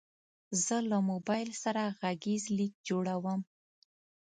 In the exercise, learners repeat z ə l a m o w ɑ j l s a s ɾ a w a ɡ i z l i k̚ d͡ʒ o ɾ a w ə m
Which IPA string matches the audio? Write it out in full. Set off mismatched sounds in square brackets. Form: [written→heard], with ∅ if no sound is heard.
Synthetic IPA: z ə l a m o [w→b] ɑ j l s a [s→∅] ɾ a [w→ɣ] a ɡ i z l i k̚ d͡ʒ o [ɾ→ɽ] a w ə m

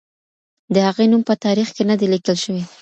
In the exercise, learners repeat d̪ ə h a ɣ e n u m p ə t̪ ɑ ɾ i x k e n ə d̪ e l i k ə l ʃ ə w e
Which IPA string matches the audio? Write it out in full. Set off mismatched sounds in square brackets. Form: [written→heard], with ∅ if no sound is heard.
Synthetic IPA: d̪ ə h a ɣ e n u m p ə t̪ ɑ ɾ i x k e n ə d̪ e l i k ə l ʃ ə w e

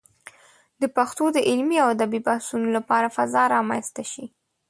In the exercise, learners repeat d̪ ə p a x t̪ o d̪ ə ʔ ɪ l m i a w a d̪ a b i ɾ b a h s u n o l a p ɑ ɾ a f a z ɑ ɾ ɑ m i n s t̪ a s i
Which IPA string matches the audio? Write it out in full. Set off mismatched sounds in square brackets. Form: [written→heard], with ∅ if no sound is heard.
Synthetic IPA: d̪ ə p a x t̪ o d̪ ə ʔ ɪ l m i a w a d̪ a b i [ɾ→∅] b a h s u n o l a p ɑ ɾ a f a z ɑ ɾ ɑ m [i→a] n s t̪ a [s→ʃ] i

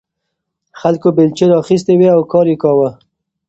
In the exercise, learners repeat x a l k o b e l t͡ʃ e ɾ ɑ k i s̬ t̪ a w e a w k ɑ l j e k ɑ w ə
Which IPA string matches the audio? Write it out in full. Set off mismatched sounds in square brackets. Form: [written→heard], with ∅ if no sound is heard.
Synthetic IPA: x a l k o b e l t͡ʃ e ɾ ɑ [k→x] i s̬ t̪ [a→e] w e a w k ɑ [l→ɾ] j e k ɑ w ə

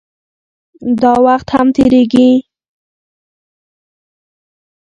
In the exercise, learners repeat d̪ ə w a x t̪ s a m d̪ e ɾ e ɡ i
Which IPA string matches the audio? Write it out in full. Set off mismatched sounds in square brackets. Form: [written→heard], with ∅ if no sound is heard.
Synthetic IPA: d̪ [ə→ɑ] w a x t̪ [s→h] a m [d̪→t̪] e ɾ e ɡ i

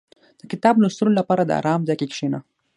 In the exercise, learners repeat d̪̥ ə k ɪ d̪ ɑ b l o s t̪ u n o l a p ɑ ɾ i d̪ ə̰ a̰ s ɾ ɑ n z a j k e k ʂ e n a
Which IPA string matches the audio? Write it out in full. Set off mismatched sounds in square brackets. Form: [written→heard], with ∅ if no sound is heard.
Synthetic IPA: d̪̥ ə k ɪ [d̪→t̪] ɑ b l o s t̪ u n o l a p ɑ ɾ [i→a] d̪ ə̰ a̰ [s→∅] ɾ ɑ [n→m] z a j k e k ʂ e n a

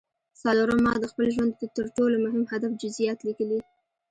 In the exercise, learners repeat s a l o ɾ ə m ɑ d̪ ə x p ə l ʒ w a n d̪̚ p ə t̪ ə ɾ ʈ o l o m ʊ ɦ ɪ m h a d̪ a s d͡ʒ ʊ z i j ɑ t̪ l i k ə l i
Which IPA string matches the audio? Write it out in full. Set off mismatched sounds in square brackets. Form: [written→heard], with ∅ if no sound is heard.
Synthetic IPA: s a l o ɾ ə m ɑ d̪ ə x p ə l ʒ w a n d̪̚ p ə t̪ ə ɾ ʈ o l o m ʊ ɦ ɪ m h a d̪ a [s→f] d͡ʒ ʊ z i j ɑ t̪ l i k ə l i

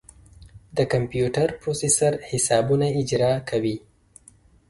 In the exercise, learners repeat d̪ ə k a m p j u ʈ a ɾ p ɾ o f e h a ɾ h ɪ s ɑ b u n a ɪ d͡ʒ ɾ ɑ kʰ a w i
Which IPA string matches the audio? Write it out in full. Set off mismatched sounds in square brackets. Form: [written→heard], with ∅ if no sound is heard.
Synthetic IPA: d̪ ə k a m p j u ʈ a ɾ p ɾ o [f→s] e [h→s] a ɾ h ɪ s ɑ b u n a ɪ d͡ʒ ɾ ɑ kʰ a w i

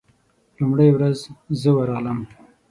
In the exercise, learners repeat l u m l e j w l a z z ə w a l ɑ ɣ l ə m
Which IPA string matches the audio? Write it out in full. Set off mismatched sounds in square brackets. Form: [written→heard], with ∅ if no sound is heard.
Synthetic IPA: l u m [l→ɽ] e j w [l→ɾ] a z z ə w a [l→ɾ] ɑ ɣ l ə m

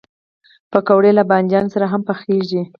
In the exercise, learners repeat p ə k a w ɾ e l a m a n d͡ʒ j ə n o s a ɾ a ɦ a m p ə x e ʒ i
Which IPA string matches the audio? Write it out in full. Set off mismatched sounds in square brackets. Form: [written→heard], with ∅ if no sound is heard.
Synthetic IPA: p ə k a w [ɾ→ɽ] e l a [m→b] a n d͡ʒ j [ə→ɑ] n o s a ɾ a ɦ a m p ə x e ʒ i

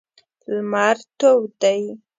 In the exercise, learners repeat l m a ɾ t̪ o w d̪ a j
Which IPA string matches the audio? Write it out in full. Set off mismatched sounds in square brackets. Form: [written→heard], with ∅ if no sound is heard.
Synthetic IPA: l m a ɾ t̪ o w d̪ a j

